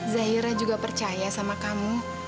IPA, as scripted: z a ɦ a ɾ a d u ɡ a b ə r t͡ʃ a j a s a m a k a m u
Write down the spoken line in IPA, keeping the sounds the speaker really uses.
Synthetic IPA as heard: z a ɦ i ɾ a d͡ʒ u ɡ a p ə r t͡ʃ a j a s a m a k a m u